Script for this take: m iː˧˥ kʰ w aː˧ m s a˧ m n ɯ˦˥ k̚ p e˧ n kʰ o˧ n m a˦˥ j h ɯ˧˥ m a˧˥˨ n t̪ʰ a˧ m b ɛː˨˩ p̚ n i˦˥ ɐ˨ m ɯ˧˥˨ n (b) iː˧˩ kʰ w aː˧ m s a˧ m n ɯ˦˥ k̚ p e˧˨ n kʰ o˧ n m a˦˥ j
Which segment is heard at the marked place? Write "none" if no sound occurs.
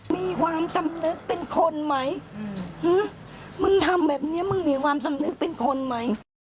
m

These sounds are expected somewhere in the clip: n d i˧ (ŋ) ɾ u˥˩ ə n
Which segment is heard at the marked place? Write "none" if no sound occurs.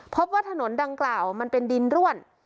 n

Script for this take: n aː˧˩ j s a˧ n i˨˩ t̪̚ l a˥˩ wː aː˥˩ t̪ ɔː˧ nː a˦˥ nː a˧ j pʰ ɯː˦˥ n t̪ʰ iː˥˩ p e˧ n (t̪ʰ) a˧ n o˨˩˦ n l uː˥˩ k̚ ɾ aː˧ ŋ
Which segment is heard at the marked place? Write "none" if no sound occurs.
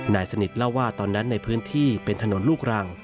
t̪ʰ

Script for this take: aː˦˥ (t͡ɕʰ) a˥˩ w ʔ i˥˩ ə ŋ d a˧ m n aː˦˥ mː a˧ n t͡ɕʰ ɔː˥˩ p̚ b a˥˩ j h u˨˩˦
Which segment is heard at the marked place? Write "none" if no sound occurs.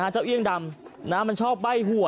t͡ɕ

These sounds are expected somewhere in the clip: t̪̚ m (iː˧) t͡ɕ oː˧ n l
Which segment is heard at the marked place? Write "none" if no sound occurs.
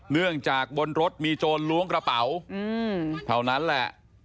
iː˧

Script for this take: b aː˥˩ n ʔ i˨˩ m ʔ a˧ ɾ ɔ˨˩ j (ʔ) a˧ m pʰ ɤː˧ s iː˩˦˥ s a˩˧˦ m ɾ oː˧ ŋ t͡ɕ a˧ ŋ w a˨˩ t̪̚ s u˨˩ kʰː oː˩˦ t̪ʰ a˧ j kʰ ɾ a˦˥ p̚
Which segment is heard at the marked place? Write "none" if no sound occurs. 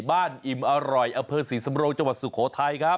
ʔ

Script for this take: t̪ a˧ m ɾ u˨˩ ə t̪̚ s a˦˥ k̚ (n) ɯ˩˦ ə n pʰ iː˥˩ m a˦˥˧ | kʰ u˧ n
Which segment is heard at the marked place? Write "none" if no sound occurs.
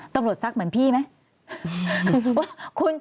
m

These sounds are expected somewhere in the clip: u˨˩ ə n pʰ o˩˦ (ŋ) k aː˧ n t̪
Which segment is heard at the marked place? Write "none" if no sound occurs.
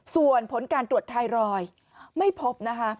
n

